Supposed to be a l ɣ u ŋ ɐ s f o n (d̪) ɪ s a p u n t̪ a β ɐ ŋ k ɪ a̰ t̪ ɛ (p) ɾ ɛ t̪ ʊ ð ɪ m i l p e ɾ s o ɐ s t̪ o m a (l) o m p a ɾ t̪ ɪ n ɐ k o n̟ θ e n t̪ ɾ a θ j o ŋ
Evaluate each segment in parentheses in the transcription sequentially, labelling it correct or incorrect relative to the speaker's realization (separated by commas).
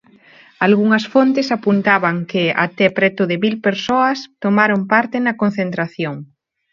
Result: incorrect, correct, incorrect